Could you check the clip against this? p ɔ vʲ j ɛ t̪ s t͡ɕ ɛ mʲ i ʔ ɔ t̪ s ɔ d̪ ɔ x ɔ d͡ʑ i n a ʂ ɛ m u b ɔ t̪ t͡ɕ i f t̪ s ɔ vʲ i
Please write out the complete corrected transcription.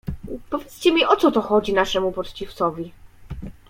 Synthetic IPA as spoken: p ɔ vʲ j ɛ t̪ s t͡ɕ ɛ mʲ i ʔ ɔ t̪ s ɔ t̪ ɔ x ɔ d͡ʑ i n a ʂ ɛ m u p ɔ t̪ t͡ɕ i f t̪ s ɔ vʲ i